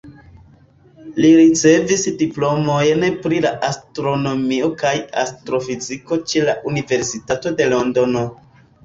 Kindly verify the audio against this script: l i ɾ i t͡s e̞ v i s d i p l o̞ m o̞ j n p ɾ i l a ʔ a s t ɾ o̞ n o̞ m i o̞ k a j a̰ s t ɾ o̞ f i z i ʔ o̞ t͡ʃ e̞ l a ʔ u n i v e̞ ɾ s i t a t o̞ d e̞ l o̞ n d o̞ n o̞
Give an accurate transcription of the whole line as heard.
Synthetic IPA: l i ɾ i t͡s e̞ v i s d i p l o̞ m o̞ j n p ɾ i l a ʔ a s t ɾ o̞ n o̞ m i o̞ k a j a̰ s t ɾ o̞ f i z i k o̞ t͡ʃ e̞ l a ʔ u n i v e̞ ɾ s i t a t o̞ d e̞ l o̞ n d o̞ n o̞